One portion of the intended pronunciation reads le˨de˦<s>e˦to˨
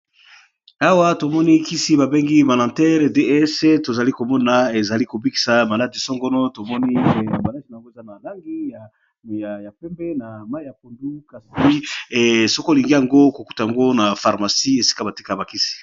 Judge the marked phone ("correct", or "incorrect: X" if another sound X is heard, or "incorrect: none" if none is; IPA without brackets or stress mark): correct